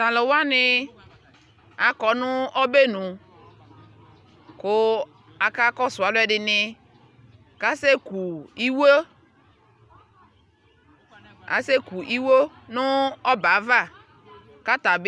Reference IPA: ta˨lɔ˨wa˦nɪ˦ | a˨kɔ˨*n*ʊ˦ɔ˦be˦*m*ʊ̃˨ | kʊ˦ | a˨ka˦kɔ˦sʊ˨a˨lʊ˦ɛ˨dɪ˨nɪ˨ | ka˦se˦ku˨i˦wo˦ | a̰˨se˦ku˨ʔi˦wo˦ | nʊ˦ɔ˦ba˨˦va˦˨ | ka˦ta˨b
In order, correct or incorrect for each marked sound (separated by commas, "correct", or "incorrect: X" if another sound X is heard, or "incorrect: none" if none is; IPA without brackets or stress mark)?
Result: correct, incorrect: n